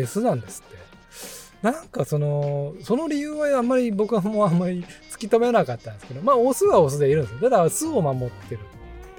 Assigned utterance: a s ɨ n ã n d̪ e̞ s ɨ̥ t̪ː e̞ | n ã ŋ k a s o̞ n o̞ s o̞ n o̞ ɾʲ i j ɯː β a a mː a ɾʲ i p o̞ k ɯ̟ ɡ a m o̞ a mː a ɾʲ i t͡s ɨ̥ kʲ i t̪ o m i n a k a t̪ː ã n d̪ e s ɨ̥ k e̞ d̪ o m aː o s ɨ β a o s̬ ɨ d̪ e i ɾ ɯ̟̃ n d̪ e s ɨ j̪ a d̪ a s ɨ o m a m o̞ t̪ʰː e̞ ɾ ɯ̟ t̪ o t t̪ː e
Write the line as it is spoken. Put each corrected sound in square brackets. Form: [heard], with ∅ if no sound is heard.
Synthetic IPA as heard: [e] s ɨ n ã n d̪ e̞ s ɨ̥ t̪ː e̞ | n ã ŋ k a s o̞ n o̞ s o̞ n o̞ ɾʲ i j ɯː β a a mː a ɾʲ i [b] o̞ k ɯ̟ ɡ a m o̞ a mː a ɾʲ i t͡s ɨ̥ kʲ i t̪ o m [e] n a k a t̪ː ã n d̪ e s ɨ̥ k e̞ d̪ o m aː o s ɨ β a o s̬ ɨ d̪ e i ɾ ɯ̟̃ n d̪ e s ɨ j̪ a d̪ a s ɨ o m a m o̞ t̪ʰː e̞ ɾ ɯ̟ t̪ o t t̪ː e